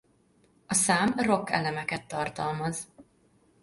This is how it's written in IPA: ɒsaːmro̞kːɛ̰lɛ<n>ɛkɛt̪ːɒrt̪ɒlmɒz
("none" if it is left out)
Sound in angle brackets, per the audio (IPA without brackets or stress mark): m